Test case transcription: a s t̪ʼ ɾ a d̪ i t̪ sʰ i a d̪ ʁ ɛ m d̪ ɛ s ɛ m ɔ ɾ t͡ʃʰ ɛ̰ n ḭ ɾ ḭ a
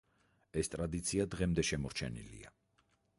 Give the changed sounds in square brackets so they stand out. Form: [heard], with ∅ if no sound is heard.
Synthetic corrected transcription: [ɛ] s t̪ʼ ɾ a d̪ i t̪ sʰ i a d̪ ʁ ɛ m d̪ ɛ [ʃ] ɛ m ɔ ɾ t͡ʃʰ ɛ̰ n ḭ [l] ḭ a